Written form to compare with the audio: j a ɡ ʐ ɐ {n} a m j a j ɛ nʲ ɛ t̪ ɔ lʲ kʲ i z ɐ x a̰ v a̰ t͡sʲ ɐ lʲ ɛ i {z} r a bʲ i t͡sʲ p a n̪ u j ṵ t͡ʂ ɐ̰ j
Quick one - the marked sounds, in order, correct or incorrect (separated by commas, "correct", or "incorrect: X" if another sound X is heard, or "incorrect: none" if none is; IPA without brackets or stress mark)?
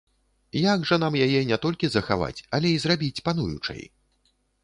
correct, correct